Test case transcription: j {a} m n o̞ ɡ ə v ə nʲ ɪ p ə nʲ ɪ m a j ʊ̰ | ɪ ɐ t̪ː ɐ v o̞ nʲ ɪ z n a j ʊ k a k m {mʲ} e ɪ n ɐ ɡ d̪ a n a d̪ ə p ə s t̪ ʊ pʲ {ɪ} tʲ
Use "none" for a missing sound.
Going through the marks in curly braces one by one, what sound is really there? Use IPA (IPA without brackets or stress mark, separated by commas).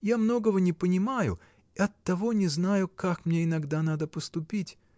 a, nʲ, i